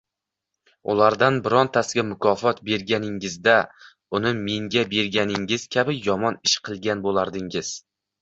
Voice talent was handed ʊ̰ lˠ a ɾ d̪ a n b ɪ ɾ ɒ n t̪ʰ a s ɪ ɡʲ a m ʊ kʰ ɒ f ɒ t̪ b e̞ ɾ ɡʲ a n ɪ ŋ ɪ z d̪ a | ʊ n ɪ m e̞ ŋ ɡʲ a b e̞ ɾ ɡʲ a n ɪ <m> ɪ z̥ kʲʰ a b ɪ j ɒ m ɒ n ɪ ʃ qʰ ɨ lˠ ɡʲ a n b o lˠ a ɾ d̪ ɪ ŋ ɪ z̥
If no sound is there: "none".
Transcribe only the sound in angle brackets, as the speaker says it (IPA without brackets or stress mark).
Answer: ŋ